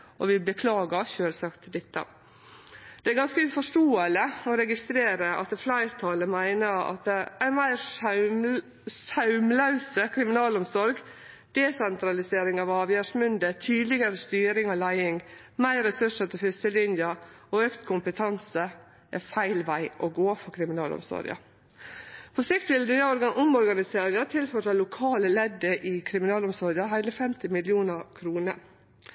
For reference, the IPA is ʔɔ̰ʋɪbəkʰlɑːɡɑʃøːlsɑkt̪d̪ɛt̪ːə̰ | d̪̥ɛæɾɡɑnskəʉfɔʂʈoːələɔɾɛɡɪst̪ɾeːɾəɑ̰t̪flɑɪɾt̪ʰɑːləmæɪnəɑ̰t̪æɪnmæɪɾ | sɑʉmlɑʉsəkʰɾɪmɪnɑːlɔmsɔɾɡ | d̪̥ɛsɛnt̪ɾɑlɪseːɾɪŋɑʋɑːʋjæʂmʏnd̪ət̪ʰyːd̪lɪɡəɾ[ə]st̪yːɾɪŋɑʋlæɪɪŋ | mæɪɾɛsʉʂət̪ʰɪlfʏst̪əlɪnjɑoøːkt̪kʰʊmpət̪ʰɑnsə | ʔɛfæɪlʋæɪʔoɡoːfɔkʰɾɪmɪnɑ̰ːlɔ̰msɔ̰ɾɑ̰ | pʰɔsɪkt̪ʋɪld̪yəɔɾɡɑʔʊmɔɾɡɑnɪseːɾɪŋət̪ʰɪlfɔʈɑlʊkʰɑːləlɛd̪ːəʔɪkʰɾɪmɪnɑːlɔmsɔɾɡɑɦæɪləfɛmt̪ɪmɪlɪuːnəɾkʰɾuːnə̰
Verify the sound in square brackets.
correct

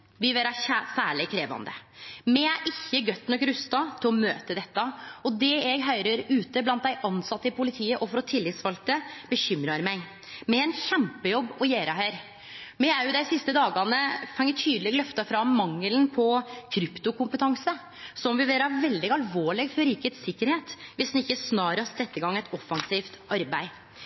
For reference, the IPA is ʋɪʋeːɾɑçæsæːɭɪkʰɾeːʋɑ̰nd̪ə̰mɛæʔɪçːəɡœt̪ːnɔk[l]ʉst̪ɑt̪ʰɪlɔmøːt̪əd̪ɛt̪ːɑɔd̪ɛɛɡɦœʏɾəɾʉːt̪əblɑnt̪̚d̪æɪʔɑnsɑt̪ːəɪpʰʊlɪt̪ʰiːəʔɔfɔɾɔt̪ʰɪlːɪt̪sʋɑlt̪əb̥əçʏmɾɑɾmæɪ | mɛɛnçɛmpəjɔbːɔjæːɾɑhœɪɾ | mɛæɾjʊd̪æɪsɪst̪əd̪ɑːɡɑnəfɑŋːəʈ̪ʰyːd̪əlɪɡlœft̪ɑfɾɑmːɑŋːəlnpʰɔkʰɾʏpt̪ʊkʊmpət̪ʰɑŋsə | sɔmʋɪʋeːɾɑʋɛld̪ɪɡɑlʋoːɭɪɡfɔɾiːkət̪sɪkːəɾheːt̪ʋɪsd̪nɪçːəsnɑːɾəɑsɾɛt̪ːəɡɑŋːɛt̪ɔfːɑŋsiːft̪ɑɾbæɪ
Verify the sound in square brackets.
incorrect: ɾ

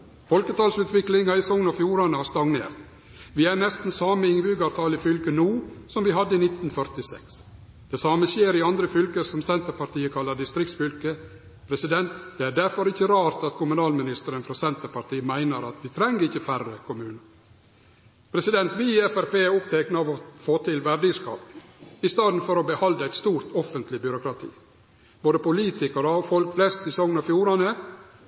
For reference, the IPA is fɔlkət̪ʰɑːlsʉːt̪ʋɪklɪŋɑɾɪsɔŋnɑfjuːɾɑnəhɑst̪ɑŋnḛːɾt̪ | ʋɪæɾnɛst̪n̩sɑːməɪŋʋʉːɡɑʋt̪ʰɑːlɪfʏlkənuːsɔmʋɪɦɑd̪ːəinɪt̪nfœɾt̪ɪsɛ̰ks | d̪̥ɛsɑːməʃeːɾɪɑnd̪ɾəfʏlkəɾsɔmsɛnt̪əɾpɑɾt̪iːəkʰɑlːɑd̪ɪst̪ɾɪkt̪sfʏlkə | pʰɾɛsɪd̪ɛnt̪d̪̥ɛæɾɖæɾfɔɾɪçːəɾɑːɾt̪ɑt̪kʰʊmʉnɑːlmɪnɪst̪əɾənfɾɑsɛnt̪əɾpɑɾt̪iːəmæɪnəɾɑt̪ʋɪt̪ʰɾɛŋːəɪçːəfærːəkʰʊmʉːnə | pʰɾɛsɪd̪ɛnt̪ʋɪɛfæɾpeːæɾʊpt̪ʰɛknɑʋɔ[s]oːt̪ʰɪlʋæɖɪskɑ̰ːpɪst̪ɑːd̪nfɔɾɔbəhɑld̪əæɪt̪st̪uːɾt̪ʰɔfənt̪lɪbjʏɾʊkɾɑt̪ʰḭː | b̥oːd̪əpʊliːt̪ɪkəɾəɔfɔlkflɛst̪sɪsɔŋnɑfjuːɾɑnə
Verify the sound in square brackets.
incorrect: f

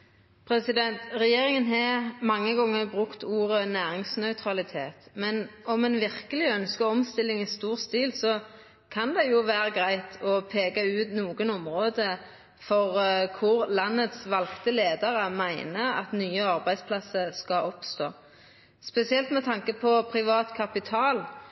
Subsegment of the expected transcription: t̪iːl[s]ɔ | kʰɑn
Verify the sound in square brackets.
correct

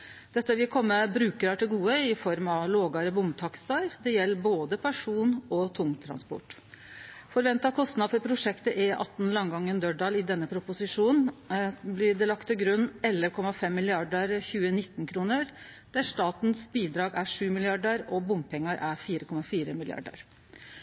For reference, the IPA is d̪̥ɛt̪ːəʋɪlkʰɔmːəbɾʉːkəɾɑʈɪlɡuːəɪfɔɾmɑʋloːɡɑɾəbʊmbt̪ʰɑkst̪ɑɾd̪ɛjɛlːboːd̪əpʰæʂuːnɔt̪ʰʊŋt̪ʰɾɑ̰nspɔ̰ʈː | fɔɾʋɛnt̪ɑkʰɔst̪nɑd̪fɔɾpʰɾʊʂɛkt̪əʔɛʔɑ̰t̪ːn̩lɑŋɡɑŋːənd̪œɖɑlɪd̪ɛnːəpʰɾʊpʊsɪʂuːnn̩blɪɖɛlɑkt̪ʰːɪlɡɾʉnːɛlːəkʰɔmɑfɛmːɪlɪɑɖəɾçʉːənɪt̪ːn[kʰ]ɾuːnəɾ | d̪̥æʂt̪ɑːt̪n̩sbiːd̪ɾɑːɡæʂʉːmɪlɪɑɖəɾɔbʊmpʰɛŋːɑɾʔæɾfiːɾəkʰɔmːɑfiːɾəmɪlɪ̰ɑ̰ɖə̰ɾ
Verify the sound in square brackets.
correct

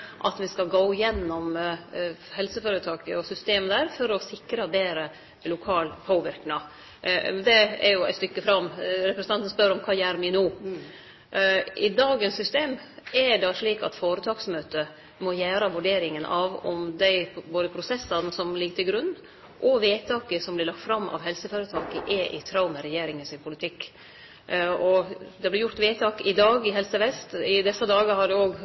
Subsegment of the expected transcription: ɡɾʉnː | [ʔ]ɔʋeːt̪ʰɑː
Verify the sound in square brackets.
correct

